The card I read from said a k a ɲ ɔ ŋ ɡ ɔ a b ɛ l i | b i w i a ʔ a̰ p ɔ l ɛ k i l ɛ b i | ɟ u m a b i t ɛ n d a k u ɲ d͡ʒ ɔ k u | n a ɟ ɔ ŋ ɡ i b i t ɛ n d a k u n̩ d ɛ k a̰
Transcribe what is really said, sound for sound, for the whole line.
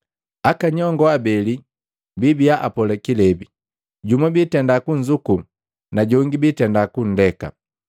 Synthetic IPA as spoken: a k a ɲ ɔ ŋ ɡ ɔ a b ɛ l i | b i b i a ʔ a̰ p ɔ l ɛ k i l ɛ b i | ɟ u m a b i t ɛ n d a k u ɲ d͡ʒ u k u | n a ɟ ɔ ŋ ɡ i b i t ɛ n d a k u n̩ d ɛ k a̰